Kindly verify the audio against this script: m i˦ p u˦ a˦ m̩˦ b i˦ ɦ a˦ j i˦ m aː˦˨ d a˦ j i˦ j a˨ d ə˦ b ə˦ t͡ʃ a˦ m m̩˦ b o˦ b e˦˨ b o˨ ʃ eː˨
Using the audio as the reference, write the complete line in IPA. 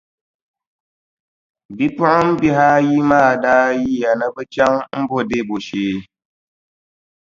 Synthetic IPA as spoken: b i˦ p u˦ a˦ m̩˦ b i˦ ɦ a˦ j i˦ m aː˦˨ d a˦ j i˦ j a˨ n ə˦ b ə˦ t͡ʃ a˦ ŋ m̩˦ b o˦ d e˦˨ b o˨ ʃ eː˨